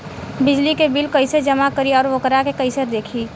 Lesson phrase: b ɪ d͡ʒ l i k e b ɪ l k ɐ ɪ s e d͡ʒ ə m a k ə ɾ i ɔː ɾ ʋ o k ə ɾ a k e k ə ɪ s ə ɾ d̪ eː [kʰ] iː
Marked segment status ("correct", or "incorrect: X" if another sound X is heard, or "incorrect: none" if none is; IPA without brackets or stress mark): correct